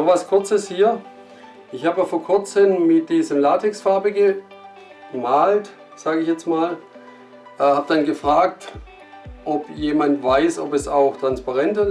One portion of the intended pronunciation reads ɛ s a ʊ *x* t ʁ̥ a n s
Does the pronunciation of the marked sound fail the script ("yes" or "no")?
no